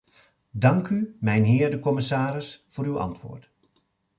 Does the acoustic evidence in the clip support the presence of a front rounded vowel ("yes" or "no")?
yes